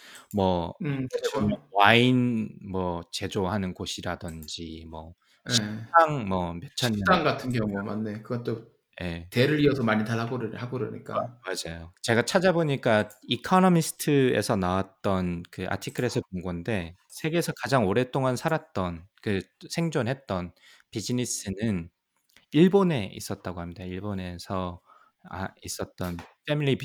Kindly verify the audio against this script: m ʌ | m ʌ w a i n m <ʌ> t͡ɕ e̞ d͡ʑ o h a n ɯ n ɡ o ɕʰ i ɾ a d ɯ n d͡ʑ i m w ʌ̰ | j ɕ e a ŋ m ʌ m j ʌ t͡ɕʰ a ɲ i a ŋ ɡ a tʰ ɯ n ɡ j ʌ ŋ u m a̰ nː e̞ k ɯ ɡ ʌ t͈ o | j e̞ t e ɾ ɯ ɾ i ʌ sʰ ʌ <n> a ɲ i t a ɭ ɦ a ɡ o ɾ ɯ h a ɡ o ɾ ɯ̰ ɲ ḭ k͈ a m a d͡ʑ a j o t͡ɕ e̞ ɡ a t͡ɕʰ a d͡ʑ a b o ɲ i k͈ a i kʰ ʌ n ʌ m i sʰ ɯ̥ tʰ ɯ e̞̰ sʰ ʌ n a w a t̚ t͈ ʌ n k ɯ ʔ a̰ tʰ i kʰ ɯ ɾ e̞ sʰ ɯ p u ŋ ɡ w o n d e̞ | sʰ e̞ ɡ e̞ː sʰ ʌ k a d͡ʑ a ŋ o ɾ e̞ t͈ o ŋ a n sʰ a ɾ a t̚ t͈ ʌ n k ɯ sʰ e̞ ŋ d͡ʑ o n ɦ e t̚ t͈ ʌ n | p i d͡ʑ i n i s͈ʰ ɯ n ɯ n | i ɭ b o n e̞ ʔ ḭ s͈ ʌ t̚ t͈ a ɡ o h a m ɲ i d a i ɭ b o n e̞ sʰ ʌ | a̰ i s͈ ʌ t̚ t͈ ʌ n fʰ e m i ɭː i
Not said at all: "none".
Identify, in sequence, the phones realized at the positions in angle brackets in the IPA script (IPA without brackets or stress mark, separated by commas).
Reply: ʌ, m